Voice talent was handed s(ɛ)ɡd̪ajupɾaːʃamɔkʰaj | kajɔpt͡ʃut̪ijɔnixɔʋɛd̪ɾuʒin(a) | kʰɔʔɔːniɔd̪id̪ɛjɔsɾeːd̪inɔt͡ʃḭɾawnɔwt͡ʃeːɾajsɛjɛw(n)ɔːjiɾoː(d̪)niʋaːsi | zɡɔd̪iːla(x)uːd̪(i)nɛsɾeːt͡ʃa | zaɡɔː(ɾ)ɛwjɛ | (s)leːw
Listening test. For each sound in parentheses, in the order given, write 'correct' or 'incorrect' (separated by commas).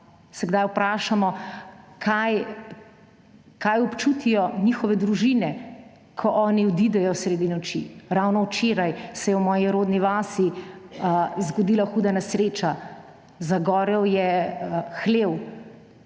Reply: correct, incorrect, incorrect, correct, correct, incorrect, correct, incorrect